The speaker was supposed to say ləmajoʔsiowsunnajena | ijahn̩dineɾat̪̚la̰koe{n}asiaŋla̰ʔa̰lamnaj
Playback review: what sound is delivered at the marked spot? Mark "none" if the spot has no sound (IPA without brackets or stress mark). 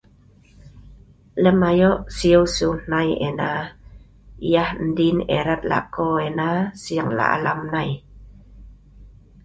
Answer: n